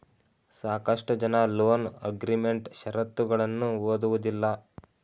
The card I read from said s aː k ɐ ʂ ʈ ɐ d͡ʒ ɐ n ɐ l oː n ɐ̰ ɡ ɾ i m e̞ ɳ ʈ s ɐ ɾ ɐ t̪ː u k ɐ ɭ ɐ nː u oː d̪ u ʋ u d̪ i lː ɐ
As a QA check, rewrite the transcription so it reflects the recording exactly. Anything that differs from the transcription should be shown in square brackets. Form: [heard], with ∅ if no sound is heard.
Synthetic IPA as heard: s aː k ɐ ʂ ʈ ɐ d͡ʒ ɐ n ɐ l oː n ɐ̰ ɡ ɾ i m e̞ ɳ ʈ [ʃ] ɐ ɾ ɐ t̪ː u [ɡ] ɐ ɭ ɐ nː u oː d̪ u ʋ u d̪ i lː ɐ